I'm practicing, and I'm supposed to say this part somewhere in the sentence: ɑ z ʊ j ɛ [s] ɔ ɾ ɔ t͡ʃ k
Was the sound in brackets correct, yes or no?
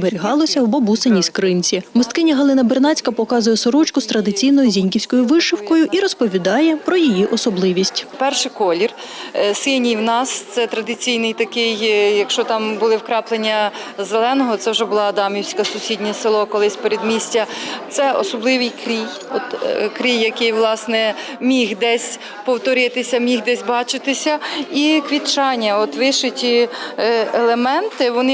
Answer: yes